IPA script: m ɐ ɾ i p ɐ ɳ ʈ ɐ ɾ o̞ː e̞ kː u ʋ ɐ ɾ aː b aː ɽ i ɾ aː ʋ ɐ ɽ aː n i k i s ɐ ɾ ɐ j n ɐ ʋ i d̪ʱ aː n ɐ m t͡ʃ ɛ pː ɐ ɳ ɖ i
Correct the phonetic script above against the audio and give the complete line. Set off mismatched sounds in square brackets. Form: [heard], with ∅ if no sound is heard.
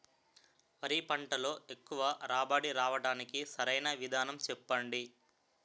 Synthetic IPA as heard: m ɐ ɾ i p ɐ ɳ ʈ ɐ [l] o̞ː e̞ kː u ʋ ɐ ɾ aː b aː ɽ i ɾ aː ʋ ɐ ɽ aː n i k i s ɐ ɾ ɐ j n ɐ ʋ i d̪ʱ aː n ɐ m t͡ʃ ɛ pː ɐ ɳ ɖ i